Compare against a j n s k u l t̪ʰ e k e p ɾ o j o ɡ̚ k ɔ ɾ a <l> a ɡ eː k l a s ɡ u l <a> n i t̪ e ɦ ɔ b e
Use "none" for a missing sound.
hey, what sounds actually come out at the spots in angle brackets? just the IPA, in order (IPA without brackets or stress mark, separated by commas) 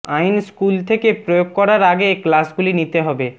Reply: ɾ, i